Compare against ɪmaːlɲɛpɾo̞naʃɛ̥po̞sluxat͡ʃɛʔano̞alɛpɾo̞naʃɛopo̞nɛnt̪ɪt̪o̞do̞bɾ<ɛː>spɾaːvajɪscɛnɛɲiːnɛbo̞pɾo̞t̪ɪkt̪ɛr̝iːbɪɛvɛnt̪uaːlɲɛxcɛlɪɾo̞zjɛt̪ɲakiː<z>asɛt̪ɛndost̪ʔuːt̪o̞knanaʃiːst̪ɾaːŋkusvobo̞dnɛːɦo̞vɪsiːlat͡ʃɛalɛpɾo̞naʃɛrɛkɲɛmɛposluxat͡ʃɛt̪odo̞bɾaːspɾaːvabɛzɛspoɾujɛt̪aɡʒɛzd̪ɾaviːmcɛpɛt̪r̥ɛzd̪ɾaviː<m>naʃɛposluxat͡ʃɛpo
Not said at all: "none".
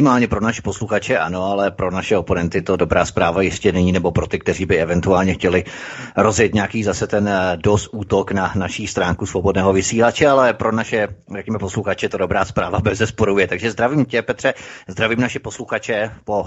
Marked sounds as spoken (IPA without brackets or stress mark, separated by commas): aː, z, m